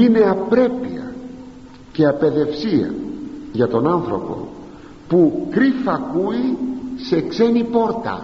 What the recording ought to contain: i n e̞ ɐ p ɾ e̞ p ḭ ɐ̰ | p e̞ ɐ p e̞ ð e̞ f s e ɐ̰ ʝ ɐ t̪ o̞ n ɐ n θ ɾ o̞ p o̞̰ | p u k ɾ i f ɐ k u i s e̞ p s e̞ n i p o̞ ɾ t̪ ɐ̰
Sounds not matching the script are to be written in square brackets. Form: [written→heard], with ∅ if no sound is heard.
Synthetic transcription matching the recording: i n e̞ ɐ p ɾ e̞ p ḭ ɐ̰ | [p→c] e̞ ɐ p e̞ ð e̞ f s [e→i] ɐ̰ ʝ ɐ t̪ o̞ n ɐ n θ ɾ o̞ p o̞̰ | p u k ɾ i f ɐ k u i s e̞ [p→k] s e̞ n i p o̞ ɾ t̪ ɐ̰